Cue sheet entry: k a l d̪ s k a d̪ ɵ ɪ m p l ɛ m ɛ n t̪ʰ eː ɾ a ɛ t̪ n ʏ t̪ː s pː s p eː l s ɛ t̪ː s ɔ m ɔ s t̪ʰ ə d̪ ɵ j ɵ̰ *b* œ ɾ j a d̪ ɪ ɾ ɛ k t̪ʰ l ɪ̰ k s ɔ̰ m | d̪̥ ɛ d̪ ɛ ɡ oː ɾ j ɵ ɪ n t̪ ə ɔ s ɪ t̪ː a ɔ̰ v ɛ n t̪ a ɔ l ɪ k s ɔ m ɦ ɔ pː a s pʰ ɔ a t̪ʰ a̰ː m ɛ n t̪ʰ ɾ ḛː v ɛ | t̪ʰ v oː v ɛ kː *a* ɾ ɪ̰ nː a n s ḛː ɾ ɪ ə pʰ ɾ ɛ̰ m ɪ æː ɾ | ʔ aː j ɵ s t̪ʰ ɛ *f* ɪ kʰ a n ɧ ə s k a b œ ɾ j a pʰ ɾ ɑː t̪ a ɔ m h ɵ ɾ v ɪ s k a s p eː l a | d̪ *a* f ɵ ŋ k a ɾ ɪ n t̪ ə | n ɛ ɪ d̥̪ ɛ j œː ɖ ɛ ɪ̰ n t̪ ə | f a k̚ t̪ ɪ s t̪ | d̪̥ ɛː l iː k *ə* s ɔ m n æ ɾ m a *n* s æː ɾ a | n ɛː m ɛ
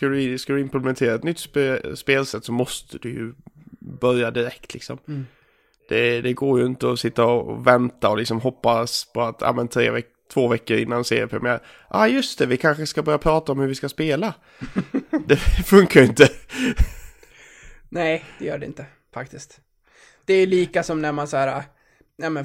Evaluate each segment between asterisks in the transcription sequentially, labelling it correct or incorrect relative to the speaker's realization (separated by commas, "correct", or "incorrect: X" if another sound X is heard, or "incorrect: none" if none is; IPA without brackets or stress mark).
correct, incorrect: ə, incorrect: v, incorrect: ɛ, incorrect: a, correct